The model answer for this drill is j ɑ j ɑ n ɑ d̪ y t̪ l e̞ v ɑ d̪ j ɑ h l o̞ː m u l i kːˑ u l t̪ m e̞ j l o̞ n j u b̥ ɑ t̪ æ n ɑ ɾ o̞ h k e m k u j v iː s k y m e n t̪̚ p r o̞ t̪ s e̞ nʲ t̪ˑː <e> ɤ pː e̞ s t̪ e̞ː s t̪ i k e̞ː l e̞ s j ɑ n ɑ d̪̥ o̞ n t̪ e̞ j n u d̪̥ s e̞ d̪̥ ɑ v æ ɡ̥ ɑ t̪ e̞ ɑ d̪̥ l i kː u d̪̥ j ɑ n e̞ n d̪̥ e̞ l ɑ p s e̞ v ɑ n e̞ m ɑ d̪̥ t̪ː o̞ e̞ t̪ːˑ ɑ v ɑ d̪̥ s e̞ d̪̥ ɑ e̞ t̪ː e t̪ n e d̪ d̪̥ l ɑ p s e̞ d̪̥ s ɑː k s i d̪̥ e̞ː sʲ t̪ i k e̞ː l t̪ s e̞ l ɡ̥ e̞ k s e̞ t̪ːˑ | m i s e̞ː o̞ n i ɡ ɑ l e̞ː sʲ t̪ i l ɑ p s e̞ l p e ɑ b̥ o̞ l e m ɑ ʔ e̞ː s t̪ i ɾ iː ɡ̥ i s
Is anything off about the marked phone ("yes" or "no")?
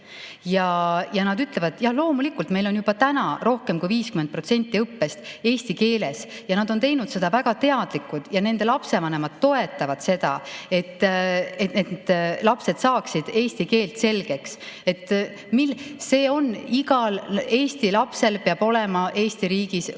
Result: yes